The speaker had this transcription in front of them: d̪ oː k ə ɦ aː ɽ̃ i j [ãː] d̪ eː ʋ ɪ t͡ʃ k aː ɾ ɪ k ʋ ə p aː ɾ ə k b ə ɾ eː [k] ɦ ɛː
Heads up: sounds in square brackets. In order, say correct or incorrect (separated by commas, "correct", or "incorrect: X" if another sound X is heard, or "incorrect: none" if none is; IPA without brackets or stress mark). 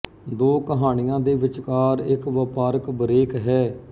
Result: correct, correct